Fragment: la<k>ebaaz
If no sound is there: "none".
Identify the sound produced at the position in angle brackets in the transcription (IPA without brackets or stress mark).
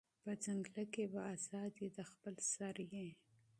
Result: k